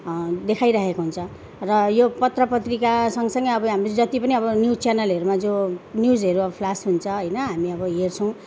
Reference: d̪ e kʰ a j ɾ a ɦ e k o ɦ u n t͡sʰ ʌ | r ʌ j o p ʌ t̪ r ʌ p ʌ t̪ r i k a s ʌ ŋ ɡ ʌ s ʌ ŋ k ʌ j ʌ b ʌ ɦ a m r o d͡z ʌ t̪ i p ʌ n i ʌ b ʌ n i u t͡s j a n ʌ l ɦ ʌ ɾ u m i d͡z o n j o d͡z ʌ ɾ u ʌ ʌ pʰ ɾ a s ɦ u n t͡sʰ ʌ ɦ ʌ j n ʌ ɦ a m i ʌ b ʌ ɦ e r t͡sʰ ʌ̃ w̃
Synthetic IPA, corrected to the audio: d̪ e kʰ a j ɾ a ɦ e k o ɦ u n t͡sʰ ʌ | r ʌ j o p ʌ t̪ r ʌ p ʌ t̪ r i k a s ʌ ŋ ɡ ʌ s ʌ ŋ ɡ ʌ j ʌ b ʌ ɦ a m r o d͡z ʌ t̪ i p ʌ n i ʌ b ʌ n j u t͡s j a n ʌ l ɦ ʌ ɾ u m a d͡z o n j u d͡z ʌ ɾ u ʌ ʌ pʰ l a s ɦ u n t͡sʰ ʌ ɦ ʌ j n ʌ ɦ a m i ʌ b ʌ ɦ e r t͡sʰ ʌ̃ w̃